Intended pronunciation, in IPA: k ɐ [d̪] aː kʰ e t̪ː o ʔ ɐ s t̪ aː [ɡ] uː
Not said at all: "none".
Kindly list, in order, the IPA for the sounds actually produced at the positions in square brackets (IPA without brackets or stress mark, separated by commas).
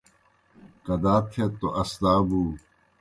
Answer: d̪, b